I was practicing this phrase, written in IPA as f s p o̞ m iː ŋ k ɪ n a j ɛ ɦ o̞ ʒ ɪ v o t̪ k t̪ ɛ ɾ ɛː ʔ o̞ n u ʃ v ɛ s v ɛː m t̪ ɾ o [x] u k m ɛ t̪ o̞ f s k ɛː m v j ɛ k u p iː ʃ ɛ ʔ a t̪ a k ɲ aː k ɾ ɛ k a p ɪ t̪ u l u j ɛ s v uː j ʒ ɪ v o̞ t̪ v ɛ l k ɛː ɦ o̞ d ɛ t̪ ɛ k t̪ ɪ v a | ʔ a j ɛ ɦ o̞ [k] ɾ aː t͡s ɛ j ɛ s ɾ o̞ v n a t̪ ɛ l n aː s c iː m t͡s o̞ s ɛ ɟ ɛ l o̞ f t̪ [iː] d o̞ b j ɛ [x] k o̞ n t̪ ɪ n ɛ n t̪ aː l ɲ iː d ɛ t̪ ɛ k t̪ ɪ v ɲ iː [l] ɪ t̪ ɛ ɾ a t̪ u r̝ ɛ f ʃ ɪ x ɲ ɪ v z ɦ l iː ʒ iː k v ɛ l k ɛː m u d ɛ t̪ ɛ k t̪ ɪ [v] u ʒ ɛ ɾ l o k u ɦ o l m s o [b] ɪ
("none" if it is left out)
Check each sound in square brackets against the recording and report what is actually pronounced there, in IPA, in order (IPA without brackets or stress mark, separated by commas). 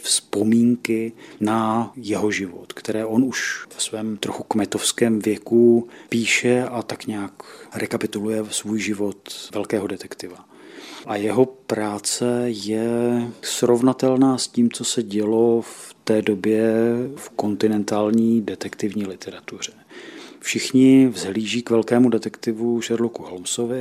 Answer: x, p, ɛː, f, l, v, v